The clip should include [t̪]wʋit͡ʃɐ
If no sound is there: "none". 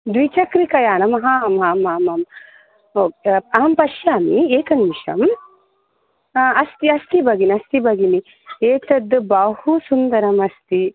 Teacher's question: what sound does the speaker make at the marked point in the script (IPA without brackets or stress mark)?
d̪